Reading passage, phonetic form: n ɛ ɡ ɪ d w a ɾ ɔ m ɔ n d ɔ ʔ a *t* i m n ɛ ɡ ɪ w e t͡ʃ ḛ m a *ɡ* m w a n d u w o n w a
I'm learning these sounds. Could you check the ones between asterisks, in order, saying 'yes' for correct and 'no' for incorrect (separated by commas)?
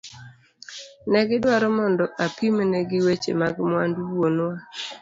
no, yes